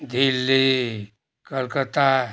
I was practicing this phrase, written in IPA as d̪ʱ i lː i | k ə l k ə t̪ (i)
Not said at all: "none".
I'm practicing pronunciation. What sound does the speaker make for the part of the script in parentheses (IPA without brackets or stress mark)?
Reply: a